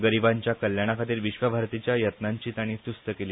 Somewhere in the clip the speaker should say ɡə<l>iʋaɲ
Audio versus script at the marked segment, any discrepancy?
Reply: yes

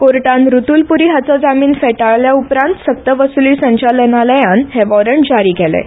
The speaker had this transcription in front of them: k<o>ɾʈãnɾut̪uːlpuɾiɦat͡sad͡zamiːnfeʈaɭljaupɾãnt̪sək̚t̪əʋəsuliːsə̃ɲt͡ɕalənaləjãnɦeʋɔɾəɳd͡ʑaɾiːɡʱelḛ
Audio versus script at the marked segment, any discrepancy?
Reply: no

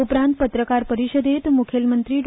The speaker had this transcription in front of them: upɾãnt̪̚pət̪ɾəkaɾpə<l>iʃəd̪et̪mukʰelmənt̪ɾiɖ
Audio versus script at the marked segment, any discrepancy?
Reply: yes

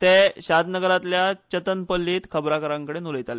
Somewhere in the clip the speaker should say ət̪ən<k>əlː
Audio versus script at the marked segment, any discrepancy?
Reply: yes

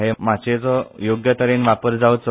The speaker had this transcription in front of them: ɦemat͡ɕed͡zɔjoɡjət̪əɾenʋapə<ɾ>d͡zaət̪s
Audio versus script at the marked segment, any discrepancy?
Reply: no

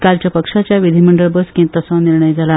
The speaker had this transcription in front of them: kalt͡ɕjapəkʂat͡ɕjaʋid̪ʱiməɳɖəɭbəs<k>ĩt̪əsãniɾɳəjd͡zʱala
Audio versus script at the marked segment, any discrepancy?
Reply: no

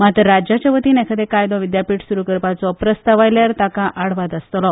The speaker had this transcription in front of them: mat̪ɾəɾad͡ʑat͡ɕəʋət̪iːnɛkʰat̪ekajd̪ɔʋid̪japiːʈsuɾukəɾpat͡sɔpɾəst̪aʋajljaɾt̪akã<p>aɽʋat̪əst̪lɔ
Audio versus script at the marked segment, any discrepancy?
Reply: yes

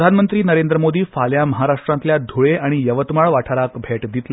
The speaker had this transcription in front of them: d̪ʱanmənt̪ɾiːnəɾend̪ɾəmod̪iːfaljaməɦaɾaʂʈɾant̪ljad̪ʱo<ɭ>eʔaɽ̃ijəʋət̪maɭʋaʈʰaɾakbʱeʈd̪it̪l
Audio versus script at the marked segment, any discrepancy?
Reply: no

